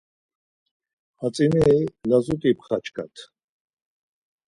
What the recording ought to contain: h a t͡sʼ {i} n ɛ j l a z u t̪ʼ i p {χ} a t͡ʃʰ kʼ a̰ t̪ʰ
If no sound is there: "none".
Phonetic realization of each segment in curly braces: i, χ

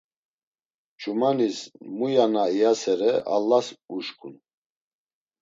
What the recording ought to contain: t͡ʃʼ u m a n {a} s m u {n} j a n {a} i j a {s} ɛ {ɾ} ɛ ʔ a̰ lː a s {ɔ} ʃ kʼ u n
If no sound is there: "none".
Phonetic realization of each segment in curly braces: i, none, a, s, ɾ, u

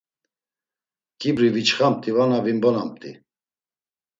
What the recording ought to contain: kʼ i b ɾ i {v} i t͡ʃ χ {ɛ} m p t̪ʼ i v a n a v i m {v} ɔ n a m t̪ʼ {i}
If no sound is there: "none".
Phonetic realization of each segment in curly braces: v, a, b, i

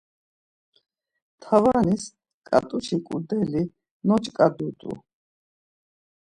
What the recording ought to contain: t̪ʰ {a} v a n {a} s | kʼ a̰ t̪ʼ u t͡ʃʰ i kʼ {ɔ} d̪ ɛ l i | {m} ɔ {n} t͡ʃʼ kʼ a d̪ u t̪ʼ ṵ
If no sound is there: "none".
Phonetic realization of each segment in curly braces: a, i, u, n, none

